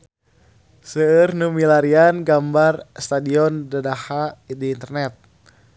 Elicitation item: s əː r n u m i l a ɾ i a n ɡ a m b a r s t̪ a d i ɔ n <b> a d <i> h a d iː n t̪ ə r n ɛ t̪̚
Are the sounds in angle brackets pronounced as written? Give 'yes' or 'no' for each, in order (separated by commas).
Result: no, no